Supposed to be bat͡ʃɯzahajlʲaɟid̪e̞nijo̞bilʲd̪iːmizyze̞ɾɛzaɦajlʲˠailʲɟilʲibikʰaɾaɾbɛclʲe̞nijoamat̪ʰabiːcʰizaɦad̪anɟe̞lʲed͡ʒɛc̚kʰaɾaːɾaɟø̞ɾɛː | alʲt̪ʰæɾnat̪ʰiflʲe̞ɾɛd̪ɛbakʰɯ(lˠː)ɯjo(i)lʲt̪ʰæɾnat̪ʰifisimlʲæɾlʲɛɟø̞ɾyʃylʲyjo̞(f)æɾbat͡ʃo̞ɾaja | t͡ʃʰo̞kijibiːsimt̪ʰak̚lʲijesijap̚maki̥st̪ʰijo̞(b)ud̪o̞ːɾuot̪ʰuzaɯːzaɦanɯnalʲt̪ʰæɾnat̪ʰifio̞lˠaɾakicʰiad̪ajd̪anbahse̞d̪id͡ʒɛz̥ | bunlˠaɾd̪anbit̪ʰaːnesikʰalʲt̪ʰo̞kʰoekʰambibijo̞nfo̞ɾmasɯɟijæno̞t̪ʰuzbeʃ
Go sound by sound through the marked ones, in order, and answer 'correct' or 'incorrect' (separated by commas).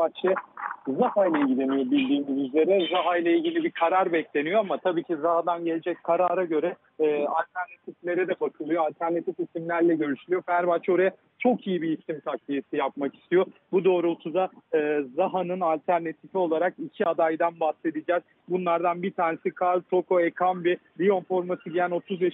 incorrect, incorrect, correct, correct